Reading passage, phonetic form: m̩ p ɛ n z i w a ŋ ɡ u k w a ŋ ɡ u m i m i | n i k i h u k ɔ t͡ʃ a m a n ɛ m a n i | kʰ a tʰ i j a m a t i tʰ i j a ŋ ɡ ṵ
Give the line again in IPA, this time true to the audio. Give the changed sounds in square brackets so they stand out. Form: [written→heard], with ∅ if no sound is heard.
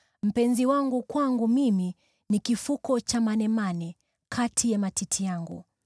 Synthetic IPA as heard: m̩ p ɛ n z i w a ŋ ɡ u k w a ŋ ɡ u m i m i | n i k i [h→f] u k ɔ t͡ʃ a m a n ɛ m a n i | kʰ a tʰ i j a m a t i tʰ i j a ŋ ɡ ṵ

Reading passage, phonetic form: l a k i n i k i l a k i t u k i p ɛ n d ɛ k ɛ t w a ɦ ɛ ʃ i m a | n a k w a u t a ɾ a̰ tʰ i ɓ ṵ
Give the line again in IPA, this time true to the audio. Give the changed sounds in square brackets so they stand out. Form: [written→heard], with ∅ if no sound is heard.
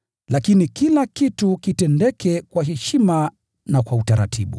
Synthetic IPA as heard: l a k i n i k i l a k i t u k i [p→t] ɛ n d ɛ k ɛ [t→k] w a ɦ ɛ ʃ i m a | n a k w a u t a ɾ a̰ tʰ i ɓ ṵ

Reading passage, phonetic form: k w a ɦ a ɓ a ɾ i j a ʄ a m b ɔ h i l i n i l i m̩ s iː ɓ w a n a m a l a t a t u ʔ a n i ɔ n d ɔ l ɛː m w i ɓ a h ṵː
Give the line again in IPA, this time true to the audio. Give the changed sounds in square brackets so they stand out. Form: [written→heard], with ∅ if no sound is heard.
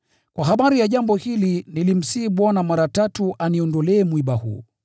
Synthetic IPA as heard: k w a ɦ a ɓ a ɾ i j a ʄ a m b ɔ h i l i n i l i m̩ s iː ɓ w a n a m a [l→ɾ] a t a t u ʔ a n i ɔ n d ɔ l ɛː m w i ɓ a h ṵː

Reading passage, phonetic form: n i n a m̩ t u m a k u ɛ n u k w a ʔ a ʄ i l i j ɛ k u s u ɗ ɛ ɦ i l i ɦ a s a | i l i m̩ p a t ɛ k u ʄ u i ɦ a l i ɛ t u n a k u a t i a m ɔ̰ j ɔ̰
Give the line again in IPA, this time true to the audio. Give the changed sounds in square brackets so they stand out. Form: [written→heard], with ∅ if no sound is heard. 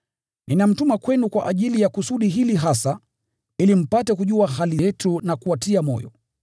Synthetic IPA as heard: n i n a m̩ t u m a k [u→w] ɛ n u k w a ʔ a ʄ i l i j [ɛ→a] k u s u ɗ [ɛ→i] ɦ i l i ɦ a s a | i l i m̩ p a t ɛ k u ʄ u [i→a] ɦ a l i ɛ t u n a k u a t i a m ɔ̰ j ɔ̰

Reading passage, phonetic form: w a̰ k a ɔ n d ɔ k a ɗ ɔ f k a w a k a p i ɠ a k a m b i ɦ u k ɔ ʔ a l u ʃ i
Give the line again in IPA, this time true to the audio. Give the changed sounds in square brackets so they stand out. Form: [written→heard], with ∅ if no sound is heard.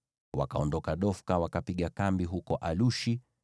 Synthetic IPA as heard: w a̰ k a ɔ n d ɔ k a ɗ ɔ f k a w a k a p i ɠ a k a m b i ɦ u k ɔ ʔ a l u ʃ i

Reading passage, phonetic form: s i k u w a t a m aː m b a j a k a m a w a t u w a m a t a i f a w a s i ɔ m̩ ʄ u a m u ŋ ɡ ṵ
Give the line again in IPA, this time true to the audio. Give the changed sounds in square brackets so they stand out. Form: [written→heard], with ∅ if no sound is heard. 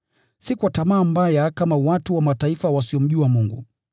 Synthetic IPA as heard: s i k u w a t a m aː m b a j a k a m a w a t u w a m a t a i f a w a s i ɔ m̩ ʄ u a m u ŋ ɡ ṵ

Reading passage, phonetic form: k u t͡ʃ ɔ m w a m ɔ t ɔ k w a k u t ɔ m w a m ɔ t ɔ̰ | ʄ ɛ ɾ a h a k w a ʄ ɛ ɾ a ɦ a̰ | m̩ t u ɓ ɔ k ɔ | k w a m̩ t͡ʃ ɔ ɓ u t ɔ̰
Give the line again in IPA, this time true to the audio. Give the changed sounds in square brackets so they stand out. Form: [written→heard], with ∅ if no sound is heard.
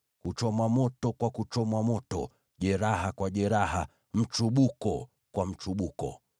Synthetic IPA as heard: k u t͡ʃ ɔ m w a m ɔ t ɔ k w a k u [t→t͡ʃ] ɔ m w a m ɔ t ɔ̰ | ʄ ɛ ɾ a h a k w a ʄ ɛ ɾ a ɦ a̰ | m̩ [t→t͡ʃ] u ɓ [ɔ→u] k ɔ | k w a m̩ t͡ʃ [ɔ→u] ɓ u [t→k] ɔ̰

